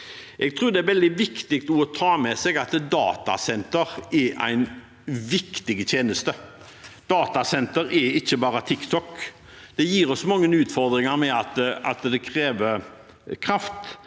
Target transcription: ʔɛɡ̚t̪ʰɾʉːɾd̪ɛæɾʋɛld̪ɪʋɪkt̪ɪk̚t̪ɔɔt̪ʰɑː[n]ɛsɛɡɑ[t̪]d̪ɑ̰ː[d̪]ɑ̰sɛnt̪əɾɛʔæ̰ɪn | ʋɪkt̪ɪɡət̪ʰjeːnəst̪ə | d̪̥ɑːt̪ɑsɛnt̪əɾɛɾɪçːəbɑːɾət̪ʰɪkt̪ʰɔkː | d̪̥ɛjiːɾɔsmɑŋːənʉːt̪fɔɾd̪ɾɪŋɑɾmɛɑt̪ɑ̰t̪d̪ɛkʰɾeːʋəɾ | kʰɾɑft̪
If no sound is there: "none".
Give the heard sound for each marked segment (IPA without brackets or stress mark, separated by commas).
m, t̪, t̪